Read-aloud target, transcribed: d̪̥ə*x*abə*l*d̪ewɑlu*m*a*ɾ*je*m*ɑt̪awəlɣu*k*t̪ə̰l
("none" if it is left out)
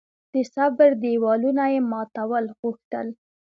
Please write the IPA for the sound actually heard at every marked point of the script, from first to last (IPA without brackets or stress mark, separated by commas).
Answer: s, ɾ, n, none, m, x